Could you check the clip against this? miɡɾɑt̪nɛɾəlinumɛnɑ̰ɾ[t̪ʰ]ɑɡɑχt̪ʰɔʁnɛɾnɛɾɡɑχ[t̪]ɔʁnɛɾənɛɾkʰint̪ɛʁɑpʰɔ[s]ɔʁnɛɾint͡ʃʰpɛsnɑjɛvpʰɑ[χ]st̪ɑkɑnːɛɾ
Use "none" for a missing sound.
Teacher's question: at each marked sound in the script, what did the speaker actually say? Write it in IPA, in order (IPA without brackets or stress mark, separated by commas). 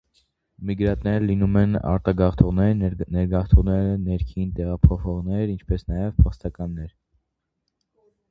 t̪, t̪ʰ, χ, χ